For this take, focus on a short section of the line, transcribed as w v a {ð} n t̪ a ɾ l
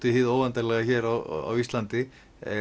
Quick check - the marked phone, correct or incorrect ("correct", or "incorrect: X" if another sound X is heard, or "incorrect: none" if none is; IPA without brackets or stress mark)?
incorrect: none